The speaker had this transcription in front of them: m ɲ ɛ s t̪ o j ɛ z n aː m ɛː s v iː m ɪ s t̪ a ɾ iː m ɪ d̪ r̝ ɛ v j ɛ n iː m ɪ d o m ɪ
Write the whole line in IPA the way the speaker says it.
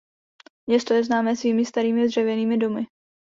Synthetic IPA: m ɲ ɛ s t̪ o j ɛ z n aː m ɛː s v iː m ɪ s t̪ a ɾ iː m ɪ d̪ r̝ ɛ v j ɛ n iː m ɪ d o m ɪ